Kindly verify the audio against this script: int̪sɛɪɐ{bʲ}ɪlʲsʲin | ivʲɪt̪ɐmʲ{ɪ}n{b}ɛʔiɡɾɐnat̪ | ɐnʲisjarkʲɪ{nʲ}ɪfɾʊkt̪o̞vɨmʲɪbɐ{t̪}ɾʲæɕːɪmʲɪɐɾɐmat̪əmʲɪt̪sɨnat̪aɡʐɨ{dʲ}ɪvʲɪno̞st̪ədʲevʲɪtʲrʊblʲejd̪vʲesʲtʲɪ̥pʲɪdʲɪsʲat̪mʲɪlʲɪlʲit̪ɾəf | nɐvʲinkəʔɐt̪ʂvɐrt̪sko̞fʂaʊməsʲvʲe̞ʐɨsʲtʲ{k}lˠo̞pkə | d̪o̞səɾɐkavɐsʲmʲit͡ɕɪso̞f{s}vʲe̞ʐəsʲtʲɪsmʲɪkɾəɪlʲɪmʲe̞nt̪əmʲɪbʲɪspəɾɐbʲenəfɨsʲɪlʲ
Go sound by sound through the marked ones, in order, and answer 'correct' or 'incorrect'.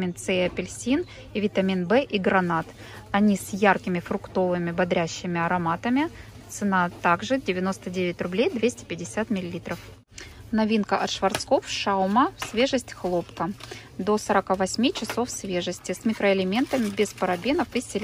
incorrect: pʲ, incorrect: i, correct, incorrect: mʲ, incorrect: d̪, correct, incorrect: x, correct

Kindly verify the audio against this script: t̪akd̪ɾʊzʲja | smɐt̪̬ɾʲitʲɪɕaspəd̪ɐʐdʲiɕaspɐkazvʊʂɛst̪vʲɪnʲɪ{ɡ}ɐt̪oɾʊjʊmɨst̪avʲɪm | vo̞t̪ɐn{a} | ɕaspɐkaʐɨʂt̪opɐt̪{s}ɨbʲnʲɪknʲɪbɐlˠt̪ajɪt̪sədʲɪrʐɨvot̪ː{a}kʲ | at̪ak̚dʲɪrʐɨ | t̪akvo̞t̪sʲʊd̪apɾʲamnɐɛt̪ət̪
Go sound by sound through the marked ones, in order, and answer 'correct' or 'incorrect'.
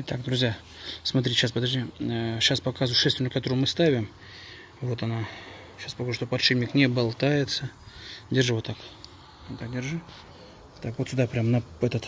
incorrect: k, correct, incorrect: ʂ, correct

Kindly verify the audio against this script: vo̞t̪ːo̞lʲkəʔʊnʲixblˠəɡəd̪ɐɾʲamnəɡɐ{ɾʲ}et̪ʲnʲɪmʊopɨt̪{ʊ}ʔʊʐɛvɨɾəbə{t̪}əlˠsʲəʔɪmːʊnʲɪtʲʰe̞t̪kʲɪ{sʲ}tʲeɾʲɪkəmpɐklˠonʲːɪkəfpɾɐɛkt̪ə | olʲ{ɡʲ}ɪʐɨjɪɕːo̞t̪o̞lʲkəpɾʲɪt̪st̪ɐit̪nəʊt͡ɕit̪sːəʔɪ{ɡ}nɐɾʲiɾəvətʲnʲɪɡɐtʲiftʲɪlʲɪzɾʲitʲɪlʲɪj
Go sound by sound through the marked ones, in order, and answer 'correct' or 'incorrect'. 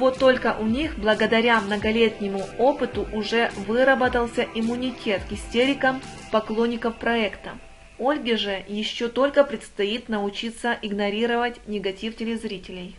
incorrect: lʲ, correct, correct, correct, correct, correct

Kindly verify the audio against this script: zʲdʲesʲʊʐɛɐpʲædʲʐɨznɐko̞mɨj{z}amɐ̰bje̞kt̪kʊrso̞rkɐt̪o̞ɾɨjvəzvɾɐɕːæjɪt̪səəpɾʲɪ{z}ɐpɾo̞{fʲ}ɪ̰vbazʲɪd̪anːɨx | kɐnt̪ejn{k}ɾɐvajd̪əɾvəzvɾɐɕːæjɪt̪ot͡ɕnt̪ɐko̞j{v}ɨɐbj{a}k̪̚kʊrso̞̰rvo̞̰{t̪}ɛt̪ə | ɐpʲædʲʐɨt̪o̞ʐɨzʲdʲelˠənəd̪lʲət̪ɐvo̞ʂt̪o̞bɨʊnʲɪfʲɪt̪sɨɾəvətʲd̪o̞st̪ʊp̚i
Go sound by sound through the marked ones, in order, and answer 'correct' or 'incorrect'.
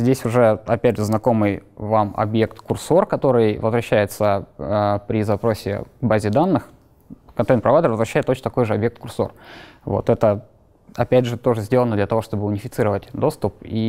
incorrect: v, correct, incorrect: sʲ, incorrect: p, incorrect: ʐ, incorrect: e, correct

